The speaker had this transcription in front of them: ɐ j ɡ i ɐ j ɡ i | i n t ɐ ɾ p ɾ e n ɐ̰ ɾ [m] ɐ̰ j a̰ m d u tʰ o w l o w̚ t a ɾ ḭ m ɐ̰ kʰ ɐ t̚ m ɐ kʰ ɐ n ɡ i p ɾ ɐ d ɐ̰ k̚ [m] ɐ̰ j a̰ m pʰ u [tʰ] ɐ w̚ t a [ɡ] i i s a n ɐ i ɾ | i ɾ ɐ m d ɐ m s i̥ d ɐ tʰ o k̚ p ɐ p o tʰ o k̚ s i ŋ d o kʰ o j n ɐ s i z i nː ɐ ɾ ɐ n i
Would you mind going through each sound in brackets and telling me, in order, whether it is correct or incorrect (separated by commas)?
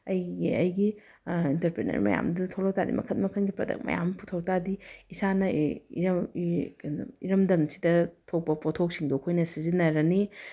correct, correct, correct, incorrect